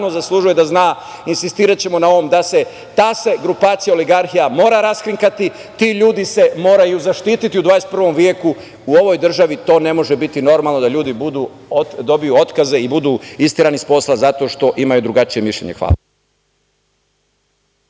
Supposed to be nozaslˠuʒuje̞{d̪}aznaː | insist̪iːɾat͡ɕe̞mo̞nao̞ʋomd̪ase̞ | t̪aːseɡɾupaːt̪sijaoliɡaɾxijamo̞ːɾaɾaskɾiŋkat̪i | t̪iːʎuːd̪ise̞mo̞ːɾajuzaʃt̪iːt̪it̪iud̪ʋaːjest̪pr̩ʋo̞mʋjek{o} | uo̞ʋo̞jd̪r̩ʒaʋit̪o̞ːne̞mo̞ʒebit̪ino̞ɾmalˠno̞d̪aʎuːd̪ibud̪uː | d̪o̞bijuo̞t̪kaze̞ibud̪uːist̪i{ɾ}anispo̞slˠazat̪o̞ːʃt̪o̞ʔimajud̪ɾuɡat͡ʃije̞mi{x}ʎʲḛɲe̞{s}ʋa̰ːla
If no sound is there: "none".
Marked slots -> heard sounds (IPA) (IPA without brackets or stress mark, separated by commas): d̪, u, ɾ, ʃ, x